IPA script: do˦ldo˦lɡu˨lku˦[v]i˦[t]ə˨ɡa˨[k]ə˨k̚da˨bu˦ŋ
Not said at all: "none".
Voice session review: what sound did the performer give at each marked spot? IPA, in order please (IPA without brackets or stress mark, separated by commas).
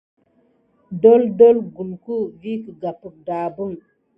v, k, p